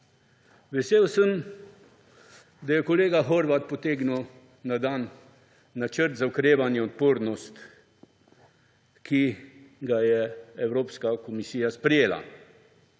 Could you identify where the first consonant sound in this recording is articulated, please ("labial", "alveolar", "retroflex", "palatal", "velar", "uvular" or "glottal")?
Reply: labial